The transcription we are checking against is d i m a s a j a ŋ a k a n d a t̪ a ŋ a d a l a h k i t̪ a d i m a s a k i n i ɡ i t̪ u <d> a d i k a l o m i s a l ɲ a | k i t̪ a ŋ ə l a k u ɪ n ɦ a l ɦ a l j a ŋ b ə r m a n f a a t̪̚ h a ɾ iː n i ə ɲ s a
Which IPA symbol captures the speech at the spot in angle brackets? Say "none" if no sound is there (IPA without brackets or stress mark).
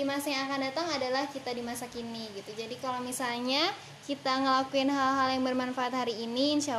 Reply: d͡ʒ